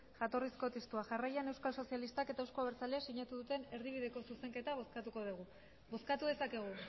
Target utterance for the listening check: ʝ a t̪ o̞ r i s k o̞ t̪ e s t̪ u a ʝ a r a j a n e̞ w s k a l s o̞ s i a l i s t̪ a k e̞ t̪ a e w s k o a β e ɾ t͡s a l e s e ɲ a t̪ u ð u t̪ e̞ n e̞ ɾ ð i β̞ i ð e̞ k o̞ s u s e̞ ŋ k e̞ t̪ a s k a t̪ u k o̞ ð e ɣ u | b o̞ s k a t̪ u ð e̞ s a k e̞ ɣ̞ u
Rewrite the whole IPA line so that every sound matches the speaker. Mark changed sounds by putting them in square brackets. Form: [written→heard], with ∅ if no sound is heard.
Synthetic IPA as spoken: ʝ a t̪ o̞ r i s k o̞ t̪ e s t̪ u a ʝ a r a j a n e̞ w s k a l s o̞ s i a l i s t̪ a k e̞ t̪ a e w s k o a β e ɾ t͡s a l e s [e→i] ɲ a t̪ u ð u t̪ e̞ n e̞ ɾ ð i β̞ i ð e̞ k o̞ s u s e̞ ŋ k e̞ t̪ a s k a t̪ u k o̞ ð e ɣ u | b o̞ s k a t̪ u ð e̞ s a k e̞ ɣ̞ u